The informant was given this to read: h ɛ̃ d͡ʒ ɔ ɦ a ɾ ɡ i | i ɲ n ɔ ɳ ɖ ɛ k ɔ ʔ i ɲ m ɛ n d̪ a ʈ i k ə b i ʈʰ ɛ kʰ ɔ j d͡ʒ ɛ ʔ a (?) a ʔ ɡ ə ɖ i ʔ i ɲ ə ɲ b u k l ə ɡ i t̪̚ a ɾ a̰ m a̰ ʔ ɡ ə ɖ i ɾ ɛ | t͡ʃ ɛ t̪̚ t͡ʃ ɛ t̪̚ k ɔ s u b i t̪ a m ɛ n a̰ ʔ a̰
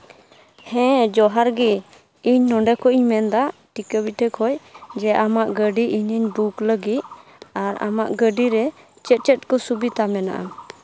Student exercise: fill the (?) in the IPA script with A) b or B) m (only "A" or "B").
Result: B